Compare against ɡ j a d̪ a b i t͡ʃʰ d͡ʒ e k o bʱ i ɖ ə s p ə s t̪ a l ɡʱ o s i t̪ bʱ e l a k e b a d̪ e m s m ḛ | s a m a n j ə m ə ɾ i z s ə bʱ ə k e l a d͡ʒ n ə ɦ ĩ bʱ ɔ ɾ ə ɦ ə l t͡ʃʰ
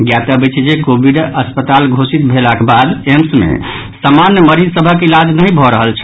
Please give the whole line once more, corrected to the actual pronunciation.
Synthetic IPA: ɡ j a t̪ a b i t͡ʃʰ d͡ʒ e k o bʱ i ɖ ə s p ə t̪ a l ɡʱ o s i t̪ bʱ e l a k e b a d̪ e m s m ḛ | s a m a n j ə m ə ɾ i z s ə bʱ ə k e l a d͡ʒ n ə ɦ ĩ bʱ ɔ ɾ ə ɦ ə l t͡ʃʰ